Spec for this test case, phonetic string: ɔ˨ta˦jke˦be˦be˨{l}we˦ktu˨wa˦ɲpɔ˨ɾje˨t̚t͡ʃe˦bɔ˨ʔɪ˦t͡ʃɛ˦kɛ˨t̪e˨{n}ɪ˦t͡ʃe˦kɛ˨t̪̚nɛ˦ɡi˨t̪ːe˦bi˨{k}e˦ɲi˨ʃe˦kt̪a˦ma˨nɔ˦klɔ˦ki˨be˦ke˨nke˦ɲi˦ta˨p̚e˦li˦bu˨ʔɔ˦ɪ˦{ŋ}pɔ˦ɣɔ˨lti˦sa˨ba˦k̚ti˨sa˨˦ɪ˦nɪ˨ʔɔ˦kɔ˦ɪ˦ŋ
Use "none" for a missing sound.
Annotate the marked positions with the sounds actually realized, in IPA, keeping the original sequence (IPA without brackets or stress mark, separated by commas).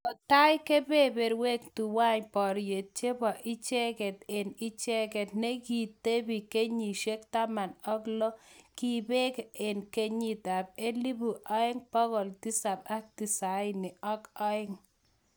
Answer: ɾ, n, k, ŋ